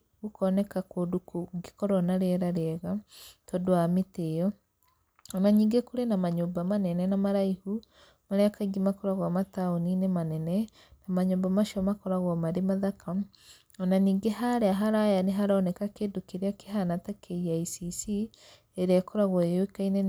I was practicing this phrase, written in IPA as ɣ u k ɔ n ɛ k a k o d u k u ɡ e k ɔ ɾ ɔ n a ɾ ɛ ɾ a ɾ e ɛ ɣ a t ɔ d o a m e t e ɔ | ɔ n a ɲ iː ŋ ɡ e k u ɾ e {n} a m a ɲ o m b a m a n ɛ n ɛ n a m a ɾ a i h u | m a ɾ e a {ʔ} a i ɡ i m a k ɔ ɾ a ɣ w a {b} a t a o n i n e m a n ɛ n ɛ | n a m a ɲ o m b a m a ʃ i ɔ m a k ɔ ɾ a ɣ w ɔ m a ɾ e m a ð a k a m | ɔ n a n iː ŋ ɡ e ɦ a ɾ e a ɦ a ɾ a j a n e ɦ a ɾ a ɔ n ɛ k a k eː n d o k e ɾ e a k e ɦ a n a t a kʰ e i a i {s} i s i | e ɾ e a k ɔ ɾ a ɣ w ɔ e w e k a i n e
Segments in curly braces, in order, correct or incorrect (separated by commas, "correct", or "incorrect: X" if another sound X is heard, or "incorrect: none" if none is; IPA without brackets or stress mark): correct, incorrect: k, incorrect: m, correct